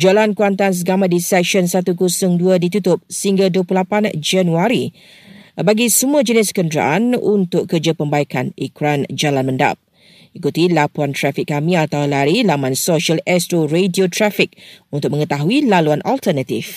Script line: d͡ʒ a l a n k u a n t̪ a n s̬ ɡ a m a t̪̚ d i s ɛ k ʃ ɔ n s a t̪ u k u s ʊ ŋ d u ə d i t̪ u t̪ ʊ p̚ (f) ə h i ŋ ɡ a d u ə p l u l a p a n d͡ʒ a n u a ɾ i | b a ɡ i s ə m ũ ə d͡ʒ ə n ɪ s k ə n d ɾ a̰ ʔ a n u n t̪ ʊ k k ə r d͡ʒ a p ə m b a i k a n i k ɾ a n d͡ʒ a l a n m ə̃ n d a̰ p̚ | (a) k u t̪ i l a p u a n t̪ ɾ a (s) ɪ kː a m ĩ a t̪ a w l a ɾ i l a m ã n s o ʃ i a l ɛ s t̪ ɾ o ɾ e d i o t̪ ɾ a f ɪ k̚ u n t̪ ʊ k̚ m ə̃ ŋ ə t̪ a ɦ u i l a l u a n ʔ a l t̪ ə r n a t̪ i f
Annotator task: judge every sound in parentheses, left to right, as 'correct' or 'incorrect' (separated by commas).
incorrect, incorrect, incorrect